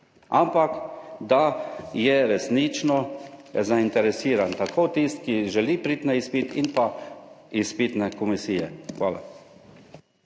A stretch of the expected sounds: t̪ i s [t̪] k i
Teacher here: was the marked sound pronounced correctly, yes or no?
yes